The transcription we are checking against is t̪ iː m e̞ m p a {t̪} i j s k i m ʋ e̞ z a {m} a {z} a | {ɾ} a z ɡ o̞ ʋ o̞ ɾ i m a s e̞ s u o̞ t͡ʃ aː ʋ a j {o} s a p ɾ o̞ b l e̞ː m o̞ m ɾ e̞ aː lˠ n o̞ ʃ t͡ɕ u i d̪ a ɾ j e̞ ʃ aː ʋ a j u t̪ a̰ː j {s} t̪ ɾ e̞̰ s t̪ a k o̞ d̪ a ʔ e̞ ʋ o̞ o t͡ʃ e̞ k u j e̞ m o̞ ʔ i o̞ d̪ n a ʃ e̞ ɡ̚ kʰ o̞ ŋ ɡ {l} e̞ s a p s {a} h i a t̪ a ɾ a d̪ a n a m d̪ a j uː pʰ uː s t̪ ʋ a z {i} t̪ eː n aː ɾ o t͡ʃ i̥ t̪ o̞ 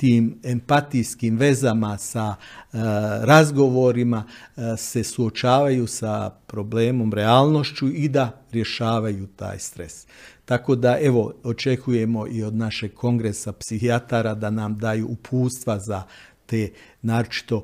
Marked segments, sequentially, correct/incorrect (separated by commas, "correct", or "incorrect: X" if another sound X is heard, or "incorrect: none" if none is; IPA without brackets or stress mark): correct, correct, incorrect: s, correct, incorrect: u, correct, incorrect: ɾ, incorrect: i, incorrect: a